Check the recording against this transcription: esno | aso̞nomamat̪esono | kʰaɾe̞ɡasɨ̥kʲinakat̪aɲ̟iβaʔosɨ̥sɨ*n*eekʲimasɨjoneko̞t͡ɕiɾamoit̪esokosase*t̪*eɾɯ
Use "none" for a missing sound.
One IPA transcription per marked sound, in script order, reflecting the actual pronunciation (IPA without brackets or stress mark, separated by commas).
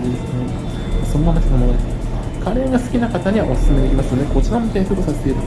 m, t̪